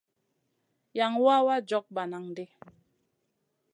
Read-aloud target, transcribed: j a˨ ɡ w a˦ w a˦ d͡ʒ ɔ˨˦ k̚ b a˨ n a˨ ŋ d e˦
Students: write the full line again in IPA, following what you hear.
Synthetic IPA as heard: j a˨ ŋ w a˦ w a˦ d͡ʒ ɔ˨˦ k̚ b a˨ n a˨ ŋ d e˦

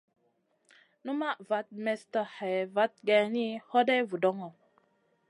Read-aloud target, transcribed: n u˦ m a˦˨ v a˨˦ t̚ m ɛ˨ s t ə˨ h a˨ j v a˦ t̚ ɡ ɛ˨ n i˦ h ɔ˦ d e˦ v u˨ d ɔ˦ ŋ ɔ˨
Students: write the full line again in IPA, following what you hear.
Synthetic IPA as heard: n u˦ m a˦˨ v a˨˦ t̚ m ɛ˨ s t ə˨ h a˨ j v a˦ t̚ ɡ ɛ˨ n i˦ h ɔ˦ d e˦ v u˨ d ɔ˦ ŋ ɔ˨

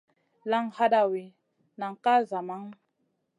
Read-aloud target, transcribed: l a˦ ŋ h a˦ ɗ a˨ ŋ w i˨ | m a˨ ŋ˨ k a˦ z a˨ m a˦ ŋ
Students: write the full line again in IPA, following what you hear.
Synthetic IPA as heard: l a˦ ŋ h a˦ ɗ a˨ w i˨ | n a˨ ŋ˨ k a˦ z a˨ m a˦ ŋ

